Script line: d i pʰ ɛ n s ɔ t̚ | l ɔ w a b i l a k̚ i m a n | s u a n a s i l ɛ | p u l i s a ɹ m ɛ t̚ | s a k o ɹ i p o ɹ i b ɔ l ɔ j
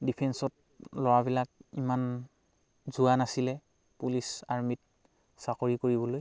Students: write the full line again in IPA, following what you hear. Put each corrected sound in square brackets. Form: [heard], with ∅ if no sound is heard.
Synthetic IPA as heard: d i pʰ ɛ n s ɔ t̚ | l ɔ w a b i l a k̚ i m a n | [z] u a n a s i l ɛ | p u l i s a ɹ m [i] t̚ | s a k o ɹ i [k] o ɹ i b ɔ l [o] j